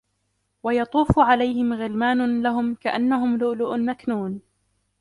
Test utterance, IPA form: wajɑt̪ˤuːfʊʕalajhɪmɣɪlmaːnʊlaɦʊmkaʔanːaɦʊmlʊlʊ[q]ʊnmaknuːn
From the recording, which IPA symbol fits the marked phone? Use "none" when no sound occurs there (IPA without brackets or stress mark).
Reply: ʔ